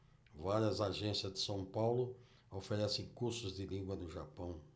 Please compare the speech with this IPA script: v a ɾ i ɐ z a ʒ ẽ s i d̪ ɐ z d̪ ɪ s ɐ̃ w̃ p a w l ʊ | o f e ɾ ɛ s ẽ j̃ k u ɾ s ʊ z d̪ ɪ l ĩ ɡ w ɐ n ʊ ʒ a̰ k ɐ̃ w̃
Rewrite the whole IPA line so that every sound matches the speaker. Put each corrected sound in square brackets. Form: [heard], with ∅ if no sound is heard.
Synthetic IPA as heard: v a ɾ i ɐ z a ʒ ẽ s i [∅] ɐ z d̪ ɪ s ɐ̃ w̃ p a w l ʊ | o f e ɾ ɛ s ẽ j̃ k u ɾ s ʊ z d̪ ɪ l ĩ ɡ w ɐ n ʊ ʒ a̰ [p] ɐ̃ w̃